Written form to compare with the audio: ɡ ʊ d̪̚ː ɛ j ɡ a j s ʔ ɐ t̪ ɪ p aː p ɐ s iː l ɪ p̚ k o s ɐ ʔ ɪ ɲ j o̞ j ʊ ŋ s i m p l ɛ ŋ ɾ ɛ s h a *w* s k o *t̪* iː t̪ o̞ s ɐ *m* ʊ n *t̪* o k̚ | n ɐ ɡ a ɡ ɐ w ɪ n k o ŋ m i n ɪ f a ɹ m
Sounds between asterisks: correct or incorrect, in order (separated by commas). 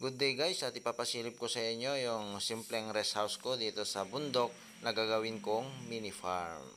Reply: correct, incorrect, incorrect, incorrect